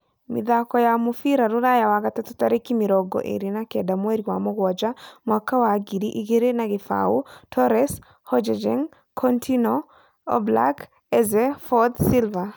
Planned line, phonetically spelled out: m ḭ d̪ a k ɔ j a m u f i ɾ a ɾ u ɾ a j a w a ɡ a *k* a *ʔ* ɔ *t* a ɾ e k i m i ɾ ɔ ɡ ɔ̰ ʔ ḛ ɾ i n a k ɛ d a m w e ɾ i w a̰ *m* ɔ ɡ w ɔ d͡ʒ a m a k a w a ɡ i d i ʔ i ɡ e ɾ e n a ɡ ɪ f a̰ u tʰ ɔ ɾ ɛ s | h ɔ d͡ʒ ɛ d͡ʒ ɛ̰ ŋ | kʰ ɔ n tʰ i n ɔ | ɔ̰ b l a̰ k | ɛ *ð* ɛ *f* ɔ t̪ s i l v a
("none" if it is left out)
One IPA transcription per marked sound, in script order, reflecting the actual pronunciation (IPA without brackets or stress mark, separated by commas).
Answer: t, t, t, m, z, f